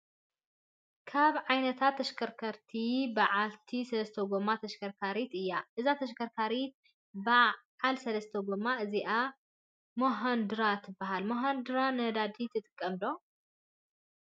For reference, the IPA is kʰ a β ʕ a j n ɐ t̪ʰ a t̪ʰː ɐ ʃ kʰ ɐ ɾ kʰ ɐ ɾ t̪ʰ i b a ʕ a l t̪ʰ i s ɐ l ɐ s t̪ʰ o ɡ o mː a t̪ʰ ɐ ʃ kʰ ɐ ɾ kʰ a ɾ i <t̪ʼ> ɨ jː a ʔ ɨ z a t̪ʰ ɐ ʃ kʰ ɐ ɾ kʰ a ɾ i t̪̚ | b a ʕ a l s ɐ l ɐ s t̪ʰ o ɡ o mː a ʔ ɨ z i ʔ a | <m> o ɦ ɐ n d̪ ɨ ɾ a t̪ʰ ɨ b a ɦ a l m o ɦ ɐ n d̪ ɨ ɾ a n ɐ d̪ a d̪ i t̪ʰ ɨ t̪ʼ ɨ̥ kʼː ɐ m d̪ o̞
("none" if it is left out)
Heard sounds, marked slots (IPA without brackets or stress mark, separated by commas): t̪, m